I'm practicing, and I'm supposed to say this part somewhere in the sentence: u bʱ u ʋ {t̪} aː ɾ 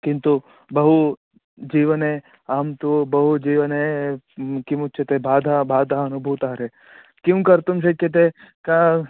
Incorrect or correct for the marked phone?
correct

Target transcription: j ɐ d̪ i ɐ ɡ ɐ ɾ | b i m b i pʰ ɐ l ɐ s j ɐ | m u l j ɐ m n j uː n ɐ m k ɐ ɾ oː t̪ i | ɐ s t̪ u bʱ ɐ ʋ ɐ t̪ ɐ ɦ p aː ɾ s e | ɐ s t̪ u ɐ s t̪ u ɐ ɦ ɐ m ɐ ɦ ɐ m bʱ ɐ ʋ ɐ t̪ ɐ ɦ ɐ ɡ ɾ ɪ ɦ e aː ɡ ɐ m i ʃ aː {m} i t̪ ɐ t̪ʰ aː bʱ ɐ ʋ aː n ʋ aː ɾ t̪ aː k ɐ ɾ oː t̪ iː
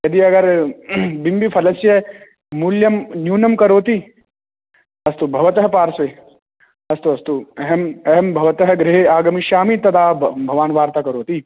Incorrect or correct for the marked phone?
correct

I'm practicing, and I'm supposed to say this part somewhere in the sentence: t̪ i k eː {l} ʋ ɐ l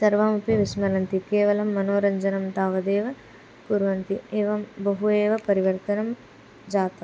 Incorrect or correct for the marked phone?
incorrect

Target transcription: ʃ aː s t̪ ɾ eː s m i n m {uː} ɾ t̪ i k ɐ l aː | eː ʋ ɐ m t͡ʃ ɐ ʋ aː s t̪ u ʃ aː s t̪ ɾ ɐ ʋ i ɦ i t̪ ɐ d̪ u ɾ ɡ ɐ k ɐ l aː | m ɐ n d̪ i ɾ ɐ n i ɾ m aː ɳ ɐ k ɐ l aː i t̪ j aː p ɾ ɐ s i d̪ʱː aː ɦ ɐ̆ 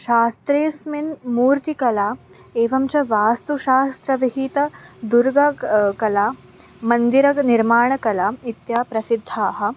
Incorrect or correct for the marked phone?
correct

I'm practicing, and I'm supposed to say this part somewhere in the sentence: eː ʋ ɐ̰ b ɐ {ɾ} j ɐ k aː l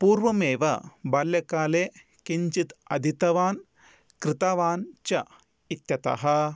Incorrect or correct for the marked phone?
incorrect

